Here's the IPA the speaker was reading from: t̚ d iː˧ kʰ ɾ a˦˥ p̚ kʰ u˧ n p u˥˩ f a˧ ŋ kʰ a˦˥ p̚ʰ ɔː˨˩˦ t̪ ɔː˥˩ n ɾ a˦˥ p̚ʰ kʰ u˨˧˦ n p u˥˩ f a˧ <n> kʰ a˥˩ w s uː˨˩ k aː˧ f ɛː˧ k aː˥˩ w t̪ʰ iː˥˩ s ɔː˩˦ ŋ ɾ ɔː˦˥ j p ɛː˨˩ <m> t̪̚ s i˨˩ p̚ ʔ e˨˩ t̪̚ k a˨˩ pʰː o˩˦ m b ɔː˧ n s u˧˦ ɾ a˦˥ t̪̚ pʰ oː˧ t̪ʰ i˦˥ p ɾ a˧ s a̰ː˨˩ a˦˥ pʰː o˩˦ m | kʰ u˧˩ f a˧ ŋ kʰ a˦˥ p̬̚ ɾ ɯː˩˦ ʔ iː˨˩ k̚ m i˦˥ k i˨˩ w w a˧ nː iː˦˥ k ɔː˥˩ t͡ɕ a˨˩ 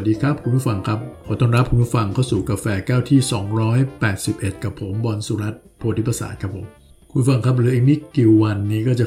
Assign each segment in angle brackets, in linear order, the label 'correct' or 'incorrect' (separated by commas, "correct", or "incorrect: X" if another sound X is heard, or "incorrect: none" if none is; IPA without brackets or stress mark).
incorrect: ŋ, incorrect: none